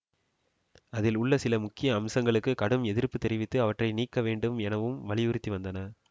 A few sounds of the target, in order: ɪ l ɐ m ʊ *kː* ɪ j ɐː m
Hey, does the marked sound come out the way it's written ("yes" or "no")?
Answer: yes